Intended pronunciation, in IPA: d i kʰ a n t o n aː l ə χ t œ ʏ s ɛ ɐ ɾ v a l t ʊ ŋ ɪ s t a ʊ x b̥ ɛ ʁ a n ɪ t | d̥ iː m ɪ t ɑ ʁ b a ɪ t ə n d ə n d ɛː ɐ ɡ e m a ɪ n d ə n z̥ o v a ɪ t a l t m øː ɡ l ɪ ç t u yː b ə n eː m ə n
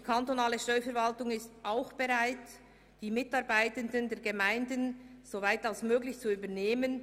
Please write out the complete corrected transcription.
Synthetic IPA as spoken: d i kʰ a n t o n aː l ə ʃ t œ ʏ f ɛ ɐ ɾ v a l t ʊ ŋ ɪ s t a ʊ x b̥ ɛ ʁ a ɪ t | d̥ iː m ɪ t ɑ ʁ b a ɪ t ə n d ə n d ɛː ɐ ɡ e m a ɪ n d ə n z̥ o v a ɪ t a l s m øː ɡ l ɪ ç t͡s u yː b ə n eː m ə n